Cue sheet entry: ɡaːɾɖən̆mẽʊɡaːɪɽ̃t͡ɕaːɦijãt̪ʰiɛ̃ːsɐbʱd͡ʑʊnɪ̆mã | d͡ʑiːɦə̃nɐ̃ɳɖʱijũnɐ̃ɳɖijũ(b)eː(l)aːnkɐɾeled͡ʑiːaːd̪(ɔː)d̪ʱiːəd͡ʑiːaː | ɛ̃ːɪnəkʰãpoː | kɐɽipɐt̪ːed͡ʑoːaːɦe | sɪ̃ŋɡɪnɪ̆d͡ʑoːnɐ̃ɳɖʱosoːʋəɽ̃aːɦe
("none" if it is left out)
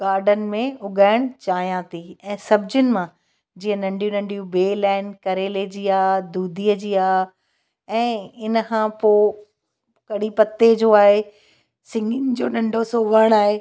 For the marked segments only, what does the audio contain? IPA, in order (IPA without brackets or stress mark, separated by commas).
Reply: b, l, uː